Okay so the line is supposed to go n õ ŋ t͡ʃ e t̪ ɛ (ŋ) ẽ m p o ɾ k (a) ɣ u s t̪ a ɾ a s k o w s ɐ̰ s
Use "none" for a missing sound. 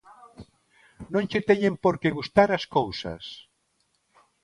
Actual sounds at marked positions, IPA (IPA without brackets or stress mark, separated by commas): ɲ, e